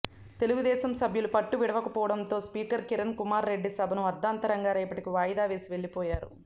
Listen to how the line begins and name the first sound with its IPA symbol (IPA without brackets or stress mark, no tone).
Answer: t̪